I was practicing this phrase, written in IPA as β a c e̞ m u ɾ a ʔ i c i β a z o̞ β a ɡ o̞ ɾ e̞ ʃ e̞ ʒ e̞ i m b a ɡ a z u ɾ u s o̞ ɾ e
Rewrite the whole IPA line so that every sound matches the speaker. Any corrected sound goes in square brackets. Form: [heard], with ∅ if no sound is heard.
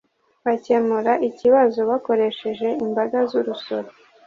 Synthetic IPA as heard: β a c e̞ m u ɾ a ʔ i c i β a z o̞ β a [k] o̞ ɾ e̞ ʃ e̞ ʒ e̞ i m b a ɡ a z u ɾ u s o̞ ɾ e

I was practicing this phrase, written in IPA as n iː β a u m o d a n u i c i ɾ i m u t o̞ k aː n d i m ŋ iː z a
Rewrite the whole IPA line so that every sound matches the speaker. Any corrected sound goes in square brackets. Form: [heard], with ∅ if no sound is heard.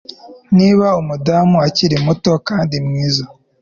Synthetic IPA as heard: n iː β a u m [u] d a [m] u [a] c i ɾ i m u t o̞ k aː n d i m ŋ iː z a

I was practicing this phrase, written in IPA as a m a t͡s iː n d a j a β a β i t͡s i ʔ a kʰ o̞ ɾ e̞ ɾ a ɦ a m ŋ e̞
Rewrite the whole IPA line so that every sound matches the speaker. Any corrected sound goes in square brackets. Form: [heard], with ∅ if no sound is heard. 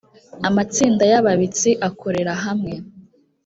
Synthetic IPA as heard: a m a t͡s iː n d a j a β a β i t͡s i ʔ a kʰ o̞ ɾ e̞ ɾ a ɦ a m ŋ e̞

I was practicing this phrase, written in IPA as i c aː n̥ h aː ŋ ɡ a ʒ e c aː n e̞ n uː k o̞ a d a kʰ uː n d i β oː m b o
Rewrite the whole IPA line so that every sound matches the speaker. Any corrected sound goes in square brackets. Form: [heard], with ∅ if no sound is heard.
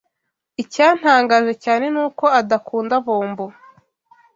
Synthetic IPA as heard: i c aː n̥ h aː ŋ ɡ a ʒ e c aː n e̞ n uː k o̞ a d a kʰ uː n d [a] β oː m b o

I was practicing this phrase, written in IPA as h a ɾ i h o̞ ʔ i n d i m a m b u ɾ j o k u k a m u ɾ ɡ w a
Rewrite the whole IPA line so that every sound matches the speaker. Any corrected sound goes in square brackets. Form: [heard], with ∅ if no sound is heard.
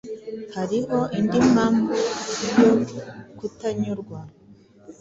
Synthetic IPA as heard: h a ɾ i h o̞ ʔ i n d i m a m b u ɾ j o k u [t] a [ɲ] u ɾ ɡ w a

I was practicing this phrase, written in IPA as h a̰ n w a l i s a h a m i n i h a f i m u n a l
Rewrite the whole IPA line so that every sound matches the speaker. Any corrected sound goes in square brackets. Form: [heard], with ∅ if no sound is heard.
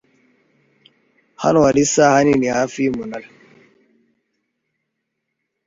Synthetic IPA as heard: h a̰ n w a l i s a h a [n] i n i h a f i m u n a l

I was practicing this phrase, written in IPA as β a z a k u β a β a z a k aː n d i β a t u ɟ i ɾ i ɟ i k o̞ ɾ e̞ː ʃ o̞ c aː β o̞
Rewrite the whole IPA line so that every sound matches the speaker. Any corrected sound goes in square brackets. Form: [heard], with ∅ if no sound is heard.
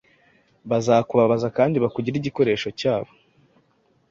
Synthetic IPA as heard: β a z a k u β a β a z a k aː n d i β a [k] u ɟ i ɾ i ɟ i k o̞ ɾ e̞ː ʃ o̞ c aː β o̞

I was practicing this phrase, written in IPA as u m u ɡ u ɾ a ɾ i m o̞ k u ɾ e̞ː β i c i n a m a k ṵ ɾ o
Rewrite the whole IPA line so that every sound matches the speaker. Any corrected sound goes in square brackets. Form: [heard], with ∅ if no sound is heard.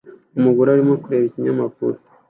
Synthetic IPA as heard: u m u ɡ u ɾ a ɾ i m o̞ k u ɾ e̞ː β i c i [ɲ] a m a k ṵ ɾ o

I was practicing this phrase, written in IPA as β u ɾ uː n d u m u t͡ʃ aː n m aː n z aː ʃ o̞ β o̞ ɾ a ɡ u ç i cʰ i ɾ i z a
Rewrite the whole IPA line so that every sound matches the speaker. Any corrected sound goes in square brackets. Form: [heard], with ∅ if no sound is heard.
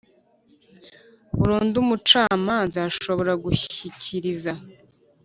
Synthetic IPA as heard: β u ɾ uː n d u m u t͡ʃ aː [∅] m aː n z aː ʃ o̞ β o̞ ɾ a ɡ u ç i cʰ i ɾ i z a

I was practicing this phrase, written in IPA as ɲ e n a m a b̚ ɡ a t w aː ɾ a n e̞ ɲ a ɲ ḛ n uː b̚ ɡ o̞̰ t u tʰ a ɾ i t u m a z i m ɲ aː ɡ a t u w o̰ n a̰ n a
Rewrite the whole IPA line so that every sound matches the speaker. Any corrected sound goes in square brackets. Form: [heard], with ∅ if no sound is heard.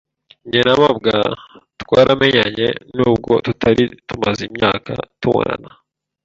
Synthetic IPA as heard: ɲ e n a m a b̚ ɡ a t w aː ɾ a [m] e̞ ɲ a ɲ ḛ n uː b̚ ɡ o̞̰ t u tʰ a ɾ i t u m a z i m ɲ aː [k] a t u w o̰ n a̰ n a

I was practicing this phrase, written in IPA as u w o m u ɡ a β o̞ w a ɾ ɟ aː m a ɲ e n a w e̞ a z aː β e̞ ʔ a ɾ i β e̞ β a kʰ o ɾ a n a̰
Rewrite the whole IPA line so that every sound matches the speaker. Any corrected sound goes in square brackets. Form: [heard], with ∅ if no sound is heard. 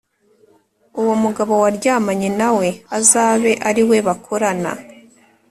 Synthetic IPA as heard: u w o m u ɡ a β o̞ w a ɾ ɟ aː m a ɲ e n a w e̞ a z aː β e̞ ʔ a ɾ i [w] e̞ β a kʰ o ɾ a n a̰

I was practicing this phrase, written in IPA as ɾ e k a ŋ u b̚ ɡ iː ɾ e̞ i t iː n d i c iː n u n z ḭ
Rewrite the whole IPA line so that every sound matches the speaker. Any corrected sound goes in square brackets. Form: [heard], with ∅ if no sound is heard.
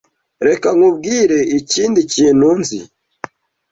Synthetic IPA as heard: ɾ e k a ŋ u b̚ ɡ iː ɾ e̞ i [c] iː n d i c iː n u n z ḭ

